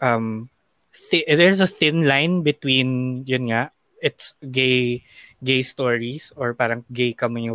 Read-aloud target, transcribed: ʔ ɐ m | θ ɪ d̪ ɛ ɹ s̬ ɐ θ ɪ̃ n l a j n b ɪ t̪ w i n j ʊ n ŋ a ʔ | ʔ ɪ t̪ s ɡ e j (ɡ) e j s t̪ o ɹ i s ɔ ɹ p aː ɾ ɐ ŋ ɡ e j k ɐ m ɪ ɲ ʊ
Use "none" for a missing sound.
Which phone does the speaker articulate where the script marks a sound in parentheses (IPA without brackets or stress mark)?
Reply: ɡ